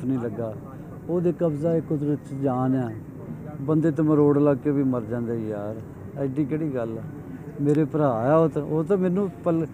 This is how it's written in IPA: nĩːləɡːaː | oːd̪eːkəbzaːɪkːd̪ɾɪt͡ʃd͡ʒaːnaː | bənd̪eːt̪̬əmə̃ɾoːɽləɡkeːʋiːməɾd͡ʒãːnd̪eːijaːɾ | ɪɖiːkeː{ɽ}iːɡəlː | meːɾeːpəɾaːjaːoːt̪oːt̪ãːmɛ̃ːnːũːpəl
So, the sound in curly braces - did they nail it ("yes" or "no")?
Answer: yes